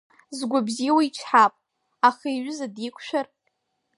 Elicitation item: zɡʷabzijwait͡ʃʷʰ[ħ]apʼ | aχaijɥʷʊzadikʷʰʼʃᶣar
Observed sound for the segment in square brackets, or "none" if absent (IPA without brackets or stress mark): ħ